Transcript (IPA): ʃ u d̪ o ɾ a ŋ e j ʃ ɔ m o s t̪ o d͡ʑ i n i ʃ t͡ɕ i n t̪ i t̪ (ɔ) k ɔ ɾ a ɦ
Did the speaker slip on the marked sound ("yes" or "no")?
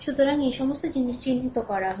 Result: yes